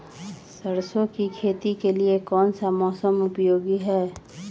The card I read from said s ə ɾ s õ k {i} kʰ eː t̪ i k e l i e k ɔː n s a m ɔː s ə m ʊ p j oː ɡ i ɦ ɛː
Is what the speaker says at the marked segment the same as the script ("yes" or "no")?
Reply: yes